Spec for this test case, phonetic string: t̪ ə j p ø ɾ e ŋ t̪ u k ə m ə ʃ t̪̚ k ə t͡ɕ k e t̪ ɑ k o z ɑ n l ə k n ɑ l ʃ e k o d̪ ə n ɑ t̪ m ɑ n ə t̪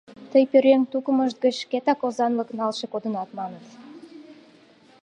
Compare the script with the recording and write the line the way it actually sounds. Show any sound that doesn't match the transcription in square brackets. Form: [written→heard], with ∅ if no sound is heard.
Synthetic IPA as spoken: t̪ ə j p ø ɾ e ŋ t̪ u k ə m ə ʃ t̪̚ [k→ɡ] ə t͡ɕ k e t̪ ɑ k o z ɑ n l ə k n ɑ l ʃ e k o d̪ ə n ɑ t̪ m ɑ n ə t̪